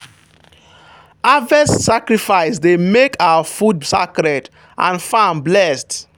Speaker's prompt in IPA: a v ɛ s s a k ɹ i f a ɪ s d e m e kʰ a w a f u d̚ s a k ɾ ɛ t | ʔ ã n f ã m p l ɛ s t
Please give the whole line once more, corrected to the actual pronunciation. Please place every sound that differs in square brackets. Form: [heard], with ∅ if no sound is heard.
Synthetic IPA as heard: a v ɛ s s a k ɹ i f a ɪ s d e m e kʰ a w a f u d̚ s a k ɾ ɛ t | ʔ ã n f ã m [b] l ɛ s t